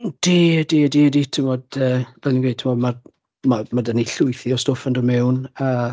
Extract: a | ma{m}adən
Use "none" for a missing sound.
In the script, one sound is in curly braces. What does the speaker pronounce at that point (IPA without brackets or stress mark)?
m